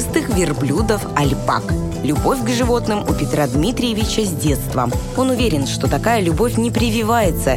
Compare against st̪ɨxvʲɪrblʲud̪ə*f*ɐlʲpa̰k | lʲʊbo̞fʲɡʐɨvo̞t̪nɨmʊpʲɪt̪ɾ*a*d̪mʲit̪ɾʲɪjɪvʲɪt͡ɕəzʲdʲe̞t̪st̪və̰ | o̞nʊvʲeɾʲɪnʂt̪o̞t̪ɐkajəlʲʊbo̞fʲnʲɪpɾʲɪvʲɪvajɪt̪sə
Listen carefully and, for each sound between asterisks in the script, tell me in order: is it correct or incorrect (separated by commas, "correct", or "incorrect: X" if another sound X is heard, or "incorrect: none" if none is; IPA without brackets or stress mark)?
correct, correct